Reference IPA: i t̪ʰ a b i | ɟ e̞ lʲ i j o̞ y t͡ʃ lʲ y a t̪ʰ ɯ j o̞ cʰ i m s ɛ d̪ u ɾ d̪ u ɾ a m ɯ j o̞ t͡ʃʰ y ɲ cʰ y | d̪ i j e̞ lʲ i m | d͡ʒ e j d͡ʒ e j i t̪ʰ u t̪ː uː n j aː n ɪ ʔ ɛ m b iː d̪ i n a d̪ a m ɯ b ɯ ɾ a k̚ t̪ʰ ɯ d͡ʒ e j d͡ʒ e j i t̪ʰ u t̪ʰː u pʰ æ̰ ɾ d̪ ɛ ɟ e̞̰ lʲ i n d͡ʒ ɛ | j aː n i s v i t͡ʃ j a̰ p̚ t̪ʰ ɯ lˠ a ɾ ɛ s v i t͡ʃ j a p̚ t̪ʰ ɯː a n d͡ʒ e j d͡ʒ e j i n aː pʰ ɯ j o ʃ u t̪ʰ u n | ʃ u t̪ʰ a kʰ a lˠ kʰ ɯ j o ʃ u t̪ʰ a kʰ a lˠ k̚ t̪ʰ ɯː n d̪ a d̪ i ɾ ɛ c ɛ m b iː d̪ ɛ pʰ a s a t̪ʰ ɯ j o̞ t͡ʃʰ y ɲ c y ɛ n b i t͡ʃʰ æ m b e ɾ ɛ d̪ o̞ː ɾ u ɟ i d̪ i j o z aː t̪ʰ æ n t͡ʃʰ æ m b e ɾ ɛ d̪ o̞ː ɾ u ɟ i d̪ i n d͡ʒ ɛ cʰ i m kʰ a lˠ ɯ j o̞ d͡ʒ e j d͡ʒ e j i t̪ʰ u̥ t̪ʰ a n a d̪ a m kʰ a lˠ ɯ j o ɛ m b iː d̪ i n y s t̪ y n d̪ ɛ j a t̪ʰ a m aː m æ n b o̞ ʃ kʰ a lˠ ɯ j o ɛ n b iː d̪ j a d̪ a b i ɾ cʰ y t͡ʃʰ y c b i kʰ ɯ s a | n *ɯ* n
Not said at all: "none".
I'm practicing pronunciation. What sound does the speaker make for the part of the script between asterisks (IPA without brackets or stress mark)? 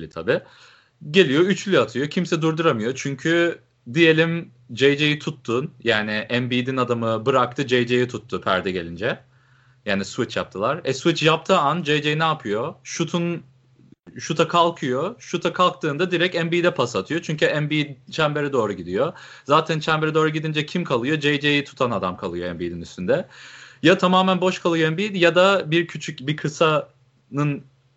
ɯ